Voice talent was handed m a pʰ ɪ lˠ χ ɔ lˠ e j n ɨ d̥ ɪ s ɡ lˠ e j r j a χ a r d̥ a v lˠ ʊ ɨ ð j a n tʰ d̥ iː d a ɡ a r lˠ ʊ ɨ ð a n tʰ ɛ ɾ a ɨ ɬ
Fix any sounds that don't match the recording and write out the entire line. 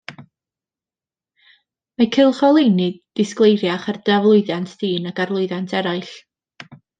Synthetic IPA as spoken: m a kʰ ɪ lˠ χ ɔ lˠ e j n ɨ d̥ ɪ s k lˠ e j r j a χ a r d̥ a v lˠ ʊ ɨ ð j a n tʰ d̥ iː n a ɡ a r lˠ ʊ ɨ ð a n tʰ ɛ ɾ a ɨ ɬ